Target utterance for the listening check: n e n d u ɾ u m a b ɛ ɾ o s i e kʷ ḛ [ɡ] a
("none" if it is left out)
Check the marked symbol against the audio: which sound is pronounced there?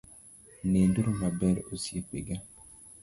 ɡ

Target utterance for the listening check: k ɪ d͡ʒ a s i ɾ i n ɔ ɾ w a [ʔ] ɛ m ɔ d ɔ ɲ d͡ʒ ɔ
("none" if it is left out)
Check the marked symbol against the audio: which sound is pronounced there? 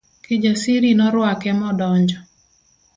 k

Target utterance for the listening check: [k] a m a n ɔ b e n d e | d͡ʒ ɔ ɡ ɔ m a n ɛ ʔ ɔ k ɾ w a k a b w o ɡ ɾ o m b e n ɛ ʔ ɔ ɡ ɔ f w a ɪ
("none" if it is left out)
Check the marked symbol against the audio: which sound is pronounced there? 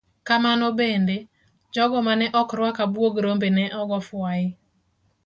k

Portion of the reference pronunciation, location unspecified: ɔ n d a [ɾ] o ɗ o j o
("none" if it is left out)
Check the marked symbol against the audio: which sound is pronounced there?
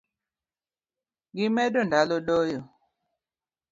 l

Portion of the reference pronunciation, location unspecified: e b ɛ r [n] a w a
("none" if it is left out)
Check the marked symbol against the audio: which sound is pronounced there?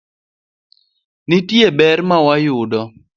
m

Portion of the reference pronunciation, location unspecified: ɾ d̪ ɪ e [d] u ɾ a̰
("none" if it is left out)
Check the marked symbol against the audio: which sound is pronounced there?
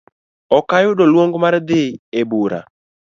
b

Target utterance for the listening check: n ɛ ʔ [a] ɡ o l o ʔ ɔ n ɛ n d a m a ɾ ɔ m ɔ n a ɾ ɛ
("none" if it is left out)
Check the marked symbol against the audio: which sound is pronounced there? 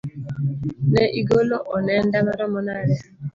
i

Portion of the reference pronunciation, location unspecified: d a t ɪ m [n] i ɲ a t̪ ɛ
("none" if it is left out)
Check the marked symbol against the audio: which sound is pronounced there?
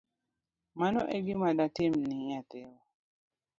n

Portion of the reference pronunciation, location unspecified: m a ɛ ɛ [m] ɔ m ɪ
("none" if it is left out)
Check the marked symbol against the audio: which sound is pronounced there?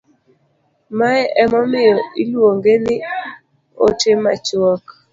m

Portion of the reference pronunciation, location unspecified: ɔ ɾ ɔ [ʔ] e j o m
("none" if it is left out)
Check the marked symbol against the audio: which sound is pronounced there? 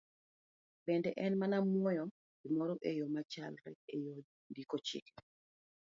ʔ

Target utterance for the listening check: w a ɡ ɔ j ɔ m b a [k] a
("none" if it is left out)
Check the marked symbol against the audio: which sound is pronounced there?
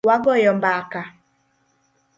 k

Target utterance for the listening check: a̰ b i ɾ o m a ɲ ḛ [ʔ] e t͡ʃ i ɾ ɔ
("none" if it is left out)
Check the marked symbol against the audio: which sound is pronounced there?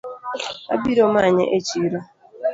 ʔ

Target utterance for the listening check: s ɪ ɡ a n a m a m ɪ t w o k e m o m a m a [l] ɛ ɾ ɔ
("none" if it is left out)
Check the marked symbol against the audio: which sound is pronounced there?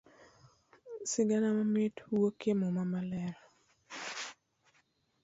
l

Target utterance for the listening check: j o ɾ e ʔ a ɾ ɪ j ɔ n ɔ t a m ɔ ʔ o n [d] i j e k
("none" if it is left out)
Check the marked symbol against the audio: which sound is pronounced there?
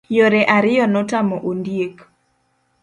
d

